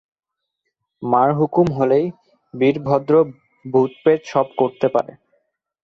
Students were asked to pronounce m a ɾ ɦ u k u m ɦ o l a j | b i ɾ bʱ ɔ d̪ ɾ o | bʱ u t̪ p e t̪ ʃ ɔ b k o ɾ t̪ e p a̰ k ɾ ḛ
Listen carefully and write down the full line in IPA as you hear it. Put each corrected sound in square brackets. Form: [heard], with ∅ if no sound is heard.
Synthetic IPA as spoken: m a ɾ ɦ u k u m ɦ o l [e] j | b i ɾ bʱ ɔ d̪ ɾ o | bʱ u t̪ p e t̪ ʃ ɔ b k o ɾ t̪ e p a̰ [∅] ɾ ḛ